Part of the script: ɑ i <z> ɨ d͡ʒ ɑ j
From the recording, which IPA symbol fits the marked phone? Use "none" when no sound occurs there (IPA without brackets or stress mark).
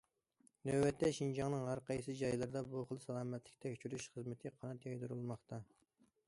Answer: s